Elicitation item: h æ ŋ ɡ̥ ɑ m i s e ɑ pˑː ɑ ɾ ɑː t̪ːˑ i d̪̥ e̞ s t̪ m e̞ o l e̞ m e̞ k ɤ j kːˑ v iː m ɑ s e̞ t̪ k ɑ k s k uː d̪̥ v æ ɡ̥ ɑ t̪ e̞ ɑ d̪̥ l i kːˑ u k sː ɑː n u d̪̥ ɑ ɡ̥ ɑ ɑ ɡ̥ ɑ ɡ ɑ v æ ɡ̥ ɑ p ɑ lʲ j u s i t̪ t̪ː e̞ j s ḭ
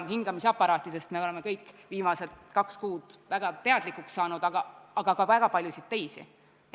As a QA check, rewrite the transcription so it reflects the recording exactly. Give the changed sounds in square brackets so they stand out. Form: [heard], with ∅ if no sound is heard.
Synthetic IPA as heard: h [i] ŋ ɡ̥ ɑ m i s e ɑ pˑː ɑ ɾ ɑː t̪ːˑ i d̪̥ e̞ s t̪ m e̞ o l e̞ m e̞ k ɤ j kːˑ v iː m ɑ s e̞ t̪ k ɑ k s k uː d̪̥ v æ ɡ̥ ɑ t̪ e̞ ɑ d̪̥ l i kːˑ u k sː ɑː n u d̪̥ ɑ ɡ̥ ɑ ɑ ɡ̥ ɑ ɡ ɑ v æ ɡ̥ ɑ p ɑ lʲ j u s i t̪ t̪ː e̞ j s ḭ